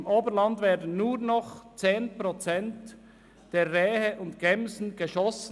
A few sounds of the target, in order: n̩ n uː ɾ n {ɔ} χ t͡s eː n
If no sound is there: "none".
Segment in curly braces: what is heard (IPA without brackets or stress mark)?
ɔ